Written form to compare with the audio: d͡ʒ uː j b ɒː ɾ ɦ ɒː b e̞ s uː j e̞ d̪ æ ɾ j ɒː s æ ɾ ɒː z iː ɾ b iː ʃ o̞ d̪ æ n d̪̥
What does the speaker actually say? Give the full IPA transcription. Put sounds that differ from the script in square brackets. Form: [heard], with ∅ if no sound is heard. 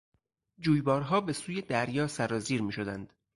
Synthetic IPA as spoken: d͡ʒ uː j b ɒː ɾ ɦ ɒː b e̞ s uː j e̞ d̪ æ ɾ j ɒː s æ ɾ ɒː z iː ɾ [m] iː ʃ o̞ d̪ æ n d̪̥